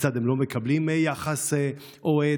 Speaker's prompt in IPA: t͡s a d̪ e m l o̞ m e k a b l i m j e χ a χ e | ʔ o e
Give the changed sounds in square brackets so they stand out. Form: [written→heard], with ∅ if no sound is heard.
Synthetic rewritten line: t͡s a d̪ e m l o̞ m e k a b l i m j [e→a] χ a [χ→s] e | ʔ o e